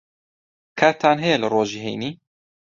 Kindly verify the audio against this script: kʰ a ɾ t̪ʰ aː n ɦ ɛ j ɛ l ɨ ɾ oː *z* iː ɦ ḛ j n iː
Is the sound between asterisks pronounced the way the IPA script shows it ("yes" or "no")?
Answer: no